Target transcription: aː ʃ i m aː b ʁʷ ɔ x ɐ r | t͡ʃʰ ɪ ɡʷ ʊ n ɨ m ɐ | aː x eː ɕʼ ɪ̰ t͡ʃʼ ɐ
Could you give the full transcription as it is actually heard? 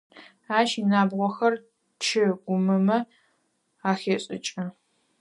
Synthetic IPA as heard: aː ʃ i n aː b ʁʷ ɔ x ɐ r | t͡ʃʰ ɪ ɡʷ ʊ m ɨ m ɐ | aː x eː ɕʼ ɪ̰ t͡ʃʼ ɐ